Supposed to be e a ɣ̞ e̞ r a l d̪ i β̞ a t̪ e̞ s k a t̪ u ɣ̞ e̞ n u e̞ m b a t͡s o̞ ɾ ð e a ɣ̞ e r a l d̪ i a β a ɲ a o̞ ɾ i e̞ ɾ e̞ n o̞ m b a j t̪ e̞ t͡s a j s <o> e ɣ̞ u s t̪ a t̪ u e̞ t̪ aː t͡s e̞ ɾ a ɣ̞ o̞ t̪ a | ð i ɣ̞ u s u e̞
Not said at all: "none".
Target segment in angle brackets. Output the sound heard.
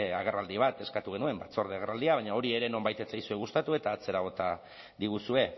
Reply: u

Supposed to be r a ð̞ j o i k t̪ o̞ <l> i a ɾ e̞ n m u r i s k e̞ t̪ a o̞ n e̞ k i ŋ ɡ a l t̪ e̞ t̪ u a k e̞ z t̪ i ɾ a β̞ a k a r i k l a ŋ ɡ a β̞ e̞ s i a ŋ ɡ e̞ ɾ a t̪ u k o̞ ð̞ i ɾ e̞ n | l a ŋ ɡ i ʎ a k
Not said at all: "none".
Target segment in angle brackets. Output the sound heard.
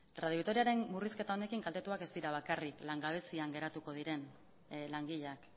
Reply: ɾ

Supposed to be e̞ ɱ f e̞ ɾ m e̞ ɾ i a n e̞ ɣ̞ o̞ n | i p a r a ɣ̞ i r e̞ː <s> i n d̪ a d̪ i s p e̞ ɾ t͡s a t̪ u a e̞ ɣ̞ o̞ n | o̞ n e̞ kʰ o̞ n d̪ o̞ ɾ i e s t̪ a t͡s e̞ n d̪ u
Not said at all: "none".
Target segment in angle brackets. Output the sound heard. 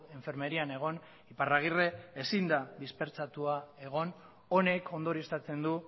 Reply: s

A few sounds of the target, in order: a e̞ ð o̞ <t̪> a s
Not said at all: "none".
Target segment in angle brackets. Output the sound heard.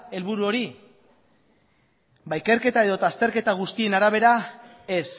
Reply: t̪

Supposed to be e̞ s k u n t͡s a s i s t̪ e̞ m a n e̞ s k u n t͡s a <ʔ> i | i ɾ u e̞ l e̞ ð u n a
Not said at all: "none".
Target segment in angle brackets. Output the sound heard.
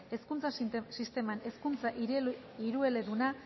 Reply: ʔ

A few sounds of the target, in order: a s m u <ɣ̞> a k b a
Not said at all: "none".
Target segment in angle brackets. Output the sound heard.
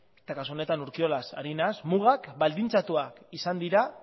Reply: ɣ̞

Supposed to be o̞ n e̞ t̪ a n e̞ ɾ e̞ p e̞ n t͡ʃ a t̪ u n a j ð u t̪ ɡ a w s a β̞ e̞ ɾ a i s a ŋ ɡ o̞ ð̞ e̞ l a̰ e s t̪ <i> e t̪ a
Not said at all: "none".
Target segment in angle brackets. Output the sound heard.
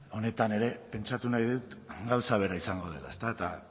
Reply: a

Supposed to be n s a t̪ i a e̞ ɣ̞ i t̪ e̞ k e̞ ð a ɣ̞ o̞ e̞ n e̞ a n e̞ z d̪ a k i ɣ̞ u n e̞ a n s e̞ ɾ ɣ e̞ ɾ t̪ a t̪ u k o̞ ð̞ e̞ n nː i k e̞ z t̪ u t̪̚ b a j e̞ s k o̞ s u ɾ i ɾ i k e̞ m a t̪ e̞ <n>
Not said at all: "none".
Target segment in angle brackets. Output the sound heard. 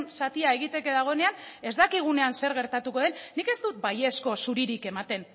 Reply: n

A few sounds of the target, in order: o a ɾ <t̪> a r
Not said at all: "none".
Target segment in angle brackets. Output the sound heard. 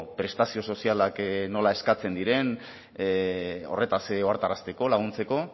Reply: t̪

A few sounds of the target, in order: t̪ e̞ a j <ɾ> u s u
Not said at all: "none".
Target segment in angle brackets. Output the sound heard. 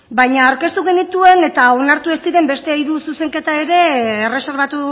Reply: ɾ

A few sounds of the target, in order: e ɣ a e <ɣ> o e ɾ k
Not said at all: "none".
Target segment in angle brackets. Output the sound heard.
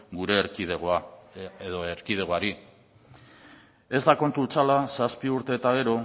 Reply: ð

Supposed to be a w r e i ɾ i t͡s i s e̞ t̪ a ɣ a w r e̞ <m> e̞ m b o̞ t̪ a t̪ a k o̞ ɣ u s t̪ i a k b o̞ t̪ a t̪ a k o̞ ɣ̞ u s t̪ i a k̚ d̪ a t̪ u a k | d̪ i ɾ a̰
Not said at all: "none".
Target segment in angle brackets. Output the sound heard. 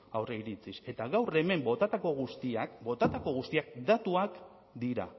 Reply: m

